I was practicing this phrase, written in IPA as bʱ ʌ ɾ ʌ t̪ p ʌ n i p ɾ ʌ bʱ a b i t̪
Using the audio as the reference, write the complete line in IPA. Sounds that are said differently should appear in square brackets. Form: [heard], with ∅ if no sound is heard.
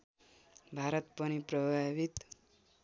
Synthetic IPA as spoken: bʱ [a] ɾ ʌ t̪ p ʌ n i p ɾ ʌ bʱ a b i t̪

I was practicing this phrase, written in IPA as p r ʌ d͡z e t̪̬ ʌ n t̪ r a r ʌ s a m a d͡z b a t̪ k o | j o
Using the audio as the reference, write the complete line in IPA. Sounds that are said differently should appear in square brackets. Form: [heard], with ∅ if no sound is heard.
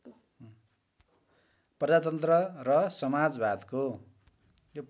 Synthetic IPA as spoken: p r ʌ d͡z [a] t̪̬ ʌ n t̪ r [ʌ] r ʌ s [ʌ] m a d͡z b a [d̪] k o | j o

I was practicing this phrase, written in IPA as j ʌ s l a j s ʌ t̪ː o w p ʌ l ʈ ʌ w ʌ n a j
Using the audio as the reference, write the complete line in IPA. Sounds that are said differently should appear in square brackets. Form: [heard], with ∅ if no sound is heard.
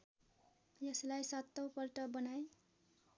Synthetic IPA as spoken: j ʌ s l a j s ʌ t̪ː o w p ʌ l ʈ ʌ [b] ʌ n a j

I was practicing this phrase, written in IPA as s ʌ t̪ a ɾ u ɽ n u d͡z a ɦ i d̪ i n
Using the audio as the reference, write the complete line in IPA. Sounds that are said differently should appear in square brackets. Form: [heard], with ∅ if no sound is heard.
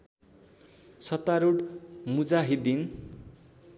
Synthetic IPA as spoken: s ʌ t̪ a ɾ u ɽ [m] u d͡z a ɦ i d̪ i n

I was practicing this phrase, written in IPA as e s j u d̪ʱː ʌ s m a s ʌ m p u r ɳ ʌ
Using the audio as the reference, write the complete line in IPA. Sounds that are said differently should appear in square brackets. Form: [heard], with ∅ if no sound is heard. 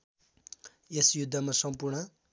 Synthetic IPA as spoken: e s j u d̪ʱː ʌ [∅] m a s ʌ m p u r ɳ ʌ

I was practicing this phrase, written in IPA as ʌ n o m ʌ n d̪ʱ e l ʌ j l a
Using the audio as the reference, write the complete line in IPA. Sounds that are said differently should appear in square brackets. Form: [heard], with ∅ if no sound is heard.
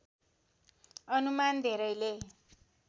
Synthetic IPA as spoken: ʌ n [u] m [a] n d̪ʱ e [ɾ] ʌ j l [e]

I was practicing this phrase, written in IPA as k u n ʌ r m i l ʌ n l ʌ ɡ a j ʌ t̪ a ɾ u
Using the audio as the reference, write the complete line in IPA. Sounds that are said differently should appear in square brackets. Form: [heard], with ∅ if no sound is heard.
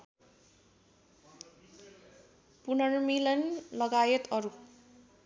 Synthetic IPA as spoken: [p] u n ʌ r m i l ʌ n l ʌ ɡ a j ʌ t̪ [ʌ] ɾ u

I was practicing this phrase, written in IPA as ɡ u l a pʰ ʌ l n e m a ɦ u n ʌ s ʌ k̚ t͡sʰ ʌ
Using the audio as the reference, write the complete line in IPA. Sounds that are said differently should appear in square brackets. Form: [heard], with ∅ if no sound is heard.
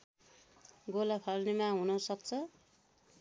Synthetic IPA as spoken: ɡ [o] l a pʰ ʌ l n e m a ɦ u n ʌ s ʌ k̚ t͡sʰ ʌ

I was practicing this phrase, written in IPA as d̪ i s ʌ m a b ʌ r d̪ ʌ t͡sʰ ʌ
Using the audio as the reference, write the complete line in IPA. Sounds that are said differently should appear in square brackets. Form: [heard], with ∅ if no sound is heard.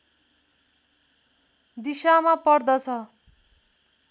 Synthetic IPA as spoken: d̪ i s [a] m a [p] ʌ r d̪ ʌ t͡sʰ ʌ

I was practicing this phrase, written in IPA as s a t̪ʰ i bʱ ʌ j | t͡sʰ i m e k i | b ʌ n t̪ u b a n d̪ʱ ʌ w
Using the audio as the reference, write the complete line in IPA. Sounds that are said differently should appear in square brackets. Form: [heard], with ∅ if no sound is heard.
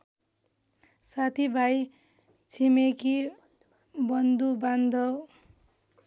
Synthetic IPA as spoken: s a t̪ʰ i bʱ [a] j | t͡sʰ i m e k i | b ʌ n [d̪] u b a n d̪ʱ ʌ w

